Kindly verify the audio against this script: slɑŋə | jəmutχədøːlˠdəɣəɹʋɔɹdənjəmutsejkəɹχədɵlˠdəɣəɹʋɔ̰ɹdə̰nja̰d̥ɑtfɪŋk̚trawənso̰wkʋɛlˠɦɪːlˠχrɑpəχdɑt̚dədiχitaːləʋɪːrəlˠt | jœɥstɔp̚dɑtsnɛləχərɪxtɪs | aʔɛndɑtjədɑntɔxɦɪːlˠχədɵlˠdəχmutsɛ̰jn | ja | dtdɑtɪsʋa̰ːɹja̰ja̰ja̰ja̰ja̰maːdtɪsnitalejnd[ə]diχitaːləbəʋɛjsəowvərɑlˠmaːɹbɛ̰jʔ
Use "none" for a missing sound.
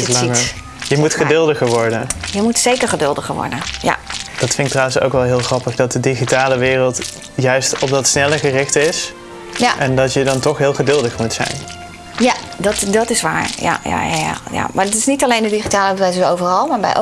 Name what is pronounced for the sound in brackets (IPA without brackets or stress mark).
ə